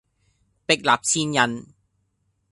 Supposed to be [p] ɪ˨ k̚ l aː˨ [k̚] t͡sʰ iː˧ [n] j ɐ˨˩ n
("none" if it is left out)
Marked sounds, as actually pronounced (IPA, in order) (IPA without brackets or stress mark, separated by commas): p, p̚, n